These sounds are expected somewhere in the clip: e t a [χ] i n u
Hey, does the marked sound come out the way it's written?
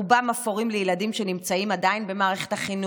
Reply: yes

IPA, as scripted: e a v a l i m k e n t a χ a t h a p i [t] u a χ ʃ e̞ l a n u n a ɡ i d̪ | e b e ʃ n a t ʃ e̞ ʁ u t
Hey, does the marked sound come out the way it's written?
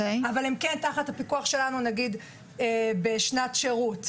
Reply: no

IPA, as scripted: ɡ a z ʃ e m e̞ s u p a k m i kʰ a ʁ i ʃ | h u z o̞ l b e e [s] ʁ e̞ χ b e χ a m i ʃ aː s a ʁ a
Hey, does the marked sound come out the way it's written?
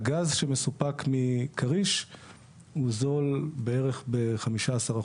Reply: no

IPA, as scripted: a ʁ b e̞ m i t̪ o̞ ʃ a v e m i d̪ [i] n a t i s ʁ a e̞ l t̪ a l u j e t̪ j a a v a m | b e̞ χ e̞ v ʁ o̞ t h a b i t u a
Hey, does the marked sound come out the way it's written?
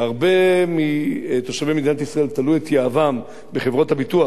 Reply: yes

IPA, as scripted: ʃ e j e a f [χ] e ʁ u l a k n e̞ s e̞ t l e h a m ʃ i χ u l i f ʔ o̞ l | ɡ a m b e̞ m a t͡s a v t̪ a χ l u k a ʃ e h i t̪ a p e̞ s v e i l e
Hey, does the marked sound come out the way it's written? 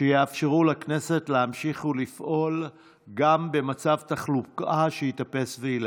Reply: no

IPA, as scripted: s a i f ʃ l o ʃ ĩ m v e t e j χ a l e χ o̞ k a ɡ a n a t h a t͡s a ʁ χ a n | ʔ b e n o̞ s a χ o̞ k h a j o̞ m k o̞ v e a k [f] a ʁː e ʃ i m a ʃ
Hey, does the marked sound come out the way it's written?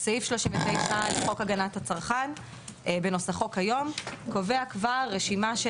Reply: no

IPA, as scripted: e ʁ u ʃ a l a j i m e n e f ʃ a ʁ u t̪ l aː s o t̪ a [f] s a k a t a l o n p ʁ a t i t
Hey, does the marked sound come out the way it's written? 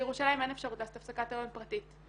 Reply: yes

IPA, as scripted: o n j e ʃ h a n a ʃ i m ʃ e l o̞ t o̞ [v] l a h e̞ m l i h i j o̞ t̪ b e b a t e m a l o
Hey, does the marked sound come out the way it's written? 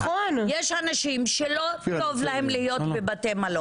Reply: yes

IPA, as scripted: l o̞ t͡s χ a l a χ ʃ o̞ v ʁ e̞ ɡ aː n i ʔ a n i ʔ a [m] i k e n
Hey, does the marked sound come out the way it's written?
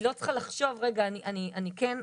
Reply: no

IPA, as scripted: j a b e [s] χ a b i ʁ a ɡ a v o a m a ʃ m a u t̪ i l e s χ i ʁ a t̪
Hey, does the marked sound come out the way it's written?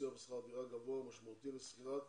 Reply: yes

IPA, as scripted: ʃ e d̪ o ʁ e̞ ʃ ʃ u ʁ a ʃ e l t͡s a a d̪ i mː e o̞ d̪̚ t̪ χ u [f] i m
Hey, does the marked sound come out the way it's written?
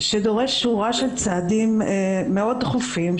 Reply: yes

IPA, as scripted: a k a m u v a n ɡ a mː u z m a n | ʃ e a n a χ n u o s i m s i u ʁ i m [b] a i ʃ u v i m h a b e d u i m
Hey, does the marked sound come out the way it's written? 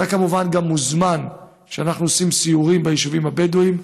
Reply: yes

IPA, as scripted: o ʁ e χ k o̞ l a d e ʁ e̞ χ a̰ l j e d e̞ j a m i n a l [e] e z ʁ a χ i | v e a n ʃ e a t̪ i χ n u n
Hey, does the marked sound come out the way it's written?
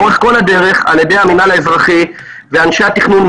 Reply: no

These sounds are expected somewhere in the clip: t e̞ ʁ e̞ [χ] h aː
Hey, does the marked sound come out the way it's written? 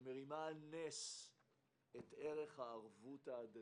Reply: yes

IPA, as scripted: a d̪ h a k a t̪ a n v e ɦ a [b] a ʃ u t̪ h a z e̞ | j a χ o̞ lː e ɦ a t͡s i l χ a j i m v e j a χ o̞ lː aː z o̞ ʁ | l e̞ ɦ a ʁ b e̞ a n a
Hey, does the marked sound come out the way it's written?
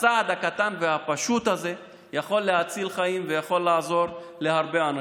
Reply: no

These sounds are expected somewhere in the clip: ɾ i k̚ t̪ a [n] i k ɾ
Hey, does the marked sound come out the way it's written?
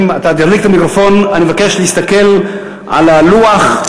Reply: no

